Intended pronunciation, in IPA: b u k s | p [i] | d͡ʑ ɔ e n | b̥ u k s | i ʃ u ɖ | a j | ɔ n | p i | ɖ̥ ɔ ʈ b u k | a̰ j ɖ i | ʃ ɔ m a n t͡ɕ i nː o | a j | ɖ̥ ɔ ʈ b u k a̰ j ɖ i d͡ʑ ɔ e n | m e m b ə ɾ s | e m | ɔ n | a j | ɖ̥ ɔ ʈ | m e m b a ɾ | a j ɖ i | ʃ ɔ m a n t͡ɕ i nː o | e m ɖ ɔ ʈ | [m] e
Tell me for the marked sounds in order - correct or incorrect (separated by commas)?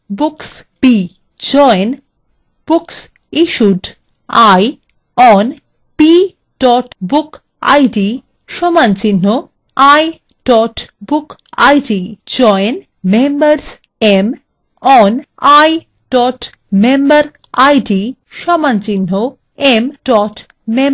correct, correct